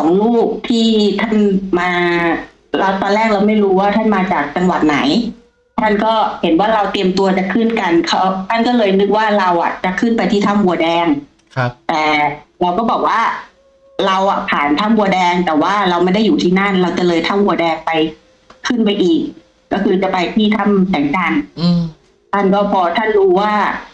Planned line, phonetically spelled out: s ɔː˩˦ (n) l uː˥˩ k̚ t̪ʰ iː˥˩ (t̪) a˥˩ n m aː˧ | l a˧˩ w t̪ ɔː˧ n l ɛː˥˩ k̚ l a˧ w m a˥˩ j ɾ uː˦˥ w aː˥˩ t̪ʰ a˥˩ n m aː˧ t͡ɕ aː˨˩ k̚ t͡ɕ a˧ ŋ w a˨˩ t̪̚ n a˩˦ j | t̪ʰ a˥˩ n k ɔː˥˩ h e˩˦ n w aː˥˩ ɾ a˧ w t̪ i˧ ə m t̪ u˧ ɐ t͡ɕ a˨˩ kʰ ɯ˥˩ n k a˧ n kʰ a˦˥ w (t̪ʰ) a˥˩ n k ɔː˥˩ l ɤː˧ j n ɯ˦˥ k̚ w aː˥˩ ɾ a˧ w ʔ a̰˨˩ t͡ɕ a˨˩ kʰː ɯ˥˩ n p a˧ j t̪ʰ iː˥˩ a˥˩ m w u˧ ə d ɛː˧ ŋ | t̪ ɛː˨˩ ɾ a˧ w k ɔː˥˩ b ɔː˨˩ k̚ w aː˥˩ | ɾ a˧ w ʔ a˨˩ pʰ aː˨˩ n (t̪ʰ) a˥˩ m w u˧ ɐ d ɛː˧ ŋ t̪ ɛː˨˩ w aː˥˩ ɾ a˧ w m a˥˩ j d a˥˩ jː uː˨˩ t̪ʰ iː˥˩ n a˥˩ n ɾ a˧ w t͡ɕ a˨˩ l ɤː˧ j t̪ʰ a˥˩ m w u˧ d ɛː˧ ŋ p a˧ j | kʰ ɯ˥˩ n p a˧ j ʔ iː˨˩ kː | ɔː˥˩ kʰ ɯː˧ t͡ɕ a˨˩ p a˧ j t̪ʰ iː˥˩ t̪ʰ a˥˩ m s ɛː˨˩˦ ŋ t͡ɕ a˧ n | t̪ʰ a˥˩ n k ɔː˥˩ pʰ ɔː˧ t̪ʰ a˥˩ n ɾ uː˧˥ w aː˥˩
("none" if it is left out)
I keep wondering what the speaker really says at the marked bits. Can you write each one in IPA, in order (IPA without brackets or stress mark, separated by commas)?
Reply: ŋ, t̪ʰ, t̪ʰ, t̪ʰ